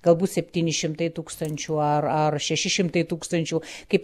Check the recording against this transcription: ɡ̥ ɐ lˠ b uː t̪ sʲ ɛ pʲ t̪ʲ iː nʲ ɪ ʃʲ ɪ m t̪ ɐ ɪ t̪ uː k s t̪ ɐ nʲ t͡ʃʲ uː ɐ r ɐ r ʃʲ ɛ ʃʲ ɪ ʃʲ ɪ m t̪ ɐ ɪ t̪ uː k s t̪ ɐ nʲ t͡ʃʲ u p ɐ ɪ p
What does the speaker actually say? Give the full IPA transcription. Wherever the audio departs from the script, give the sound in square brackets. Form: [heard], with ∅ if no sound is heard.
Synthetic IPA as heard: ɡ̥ ɐ lˠ b uː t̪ sʲ ɛ pʲ t̪ʲ iː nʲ ɪ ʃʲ ɪ m t̪ ɐ ɪ t̪ uː k s t̪ ɐ nʲ t͡ʃʲ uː ɐ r ɐ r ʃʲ ɛ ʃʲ ɪ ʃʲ ɪ m t̪ ɐ ɪ t̪ uː k s t̪ ɐ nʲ t͡ʃʲ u [k] ɐ ɪ p